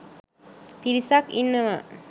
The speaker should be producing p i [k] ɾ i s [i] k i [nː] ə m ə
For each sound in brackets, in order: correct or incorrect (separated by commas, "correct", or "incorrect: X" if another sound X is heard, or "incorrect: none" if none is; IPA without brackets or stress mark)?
incorrect: none, incorrect: a, correct